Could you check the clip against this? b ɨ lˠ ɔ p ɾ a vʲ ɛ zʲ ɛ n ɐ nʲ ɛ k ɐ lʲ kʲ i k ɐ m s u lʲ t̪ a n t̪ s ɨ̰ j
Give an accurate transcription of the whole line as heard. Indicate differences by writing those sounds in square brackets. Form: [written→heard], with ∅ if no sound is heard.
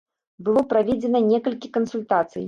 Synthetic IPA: b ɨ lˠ ɔ p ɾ a vʲ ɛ [zʲ→d͡zʲ] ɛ n ɐ nʲ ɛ k ɐ lʲ kʲ i k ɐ [m→n] s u lʲ t̪ a [n→∅] t̪ s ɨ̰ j